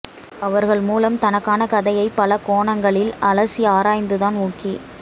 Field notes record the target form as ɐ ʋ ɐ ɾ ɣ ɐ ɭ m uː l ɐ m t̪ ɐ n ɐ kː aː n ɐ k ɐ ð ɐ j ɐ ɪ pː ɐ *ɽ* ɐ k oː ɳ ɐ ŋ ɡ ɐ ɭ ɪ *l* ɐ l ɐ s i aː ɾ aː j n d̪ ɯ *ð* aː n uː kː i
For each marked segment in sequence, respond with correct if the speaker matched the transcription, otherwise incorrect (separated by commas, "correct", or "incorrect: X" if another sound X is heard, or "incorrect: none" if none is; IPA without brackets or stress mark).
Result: incorrect: l, correct, correct